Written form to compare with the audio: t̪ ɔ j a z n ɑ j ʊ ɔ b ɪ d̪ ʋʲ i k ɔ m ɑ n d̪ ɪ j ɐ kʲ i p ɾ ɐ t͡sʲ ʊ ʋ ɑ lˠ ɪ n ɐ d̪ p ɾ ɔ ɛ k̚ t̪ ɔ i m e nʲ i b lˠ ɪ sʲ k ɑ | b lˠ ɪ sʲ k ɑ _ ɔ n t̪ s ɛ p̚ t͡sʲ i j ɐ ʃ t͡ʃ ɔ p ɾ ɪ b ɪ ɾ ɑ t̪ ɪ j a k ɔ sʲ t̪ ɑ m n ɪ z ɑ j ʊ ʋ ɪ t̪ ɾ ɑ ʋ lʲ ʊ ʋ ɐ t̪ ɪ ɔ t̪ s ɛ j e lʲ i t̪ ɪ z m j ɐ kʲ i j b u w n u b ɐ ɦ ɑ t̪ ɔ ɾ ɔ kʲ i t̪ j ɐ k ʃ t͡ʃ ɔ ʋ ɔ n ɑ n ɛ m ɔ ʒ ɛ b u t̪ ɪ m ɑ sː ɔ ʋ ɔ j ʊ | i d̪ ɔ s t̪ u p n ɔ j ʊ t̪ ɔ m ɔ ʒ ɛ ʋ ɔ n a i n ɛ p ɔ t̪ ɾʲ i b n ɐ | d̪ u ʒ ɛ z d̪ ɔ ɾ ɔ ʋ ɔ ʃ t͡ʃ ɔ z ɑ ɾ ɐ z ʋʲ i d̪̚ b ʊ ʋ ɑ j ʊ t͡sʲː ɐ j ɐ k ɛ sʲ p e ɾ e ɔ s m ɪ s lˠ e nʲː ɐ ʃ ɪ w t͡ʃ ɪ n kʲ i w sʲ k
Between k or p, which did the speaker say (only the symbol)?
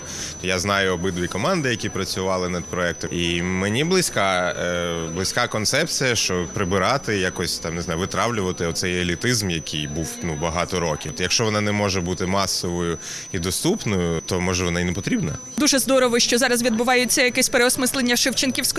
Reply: k